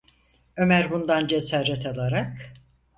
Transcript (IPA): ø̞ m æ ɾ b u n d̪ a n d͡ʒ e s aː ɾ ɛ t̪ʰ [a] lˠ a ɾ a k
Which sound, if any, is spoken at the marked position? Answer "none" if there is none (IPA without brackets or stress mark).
a